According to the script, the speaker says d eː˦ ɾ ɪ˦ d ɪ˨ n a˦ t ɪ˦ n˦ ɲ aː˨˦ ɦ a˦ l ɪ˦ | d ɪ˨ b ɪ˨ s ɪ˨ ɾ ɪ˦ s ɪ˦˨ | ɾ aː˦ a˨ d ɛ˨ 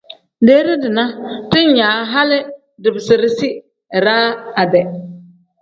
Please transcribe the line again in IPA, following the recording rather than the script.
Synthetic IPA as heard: d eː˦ ɾ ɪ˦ d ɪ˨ n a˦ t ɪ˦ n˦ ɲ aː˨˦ ɦ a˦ l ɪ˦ | d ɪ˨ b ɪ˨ s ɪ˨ ɾ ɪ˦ s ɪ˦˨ | ɾ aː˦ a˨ d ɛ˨